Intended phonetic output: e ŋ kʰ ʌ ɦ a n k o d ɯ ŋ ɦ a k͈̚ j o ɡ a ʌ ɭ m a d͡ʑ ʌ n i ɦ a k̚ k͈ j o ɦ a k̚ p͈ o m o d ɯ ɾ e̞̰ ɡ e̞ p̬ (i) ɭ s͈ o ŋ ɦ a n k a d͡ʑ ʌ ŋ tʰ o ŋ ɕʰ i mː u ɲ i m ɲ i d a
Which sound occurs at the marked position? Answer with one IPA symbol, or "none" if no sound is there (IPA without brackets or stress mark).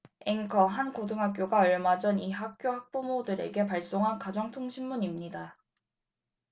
a